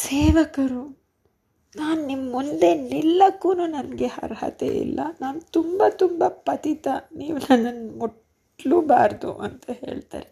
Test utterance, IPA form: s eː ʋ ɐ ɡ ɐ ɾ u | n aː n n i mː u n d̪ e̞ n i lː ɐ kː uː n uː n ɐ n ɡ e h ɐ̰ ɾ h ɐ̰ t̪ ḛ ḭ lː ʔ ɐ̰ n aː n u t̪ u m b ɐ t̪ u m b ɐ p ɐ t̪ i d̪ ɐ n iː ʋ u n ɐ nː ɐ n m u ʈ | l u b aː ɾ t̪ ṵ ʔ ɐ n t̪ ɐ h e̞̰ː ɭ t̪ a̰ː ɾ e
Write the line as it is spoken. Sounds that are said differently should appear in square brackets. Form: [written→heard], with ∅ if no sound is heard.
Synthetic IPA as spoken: s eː ʋ ɐ [ɡ→k] ɐ ɾ u | n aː n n i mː u n d̪ e̞ n i lː ɐ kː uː n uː n ɐ n ɡ e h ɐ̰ ɾ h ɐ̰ t̪ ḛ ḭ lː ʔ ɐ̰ n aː n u t̪ u m b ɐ t̪ u m b ɐ p ɐ t̪ i [d̪→t̪] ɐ n iː ʋ u n ɐ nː ɐ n m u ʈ | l u b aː ɾ [t̪→d̪] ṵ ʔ ɐ n t̪ ɐ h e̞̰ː ɭ t̪ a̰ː ɾ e